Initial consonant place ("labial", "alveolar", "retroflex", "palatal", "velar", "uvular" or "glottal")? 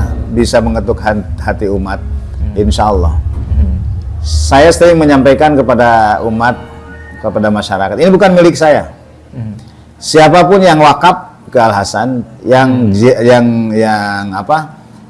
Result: labial